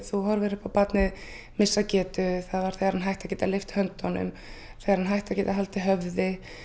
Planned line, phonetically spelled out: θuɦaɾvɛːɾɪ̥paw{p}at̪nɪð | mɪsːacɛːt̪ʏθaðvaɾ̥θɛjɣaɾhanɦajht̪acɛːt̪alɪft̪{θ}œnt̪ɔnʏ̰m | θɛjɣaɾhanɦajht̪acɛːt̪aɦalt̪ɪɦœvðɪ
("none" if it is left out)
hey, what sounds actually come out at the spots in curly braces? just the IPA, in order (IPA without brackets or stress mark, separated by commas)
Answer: p, h